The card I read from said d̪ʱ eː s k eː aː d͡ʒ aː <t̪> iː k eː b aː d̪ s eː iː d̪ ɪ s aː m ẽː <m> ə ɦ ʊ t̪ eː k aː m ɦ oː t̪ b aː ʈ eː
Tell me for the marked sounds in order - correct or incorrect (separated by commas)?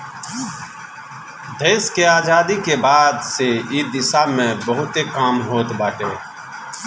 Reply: incorrect, incorrect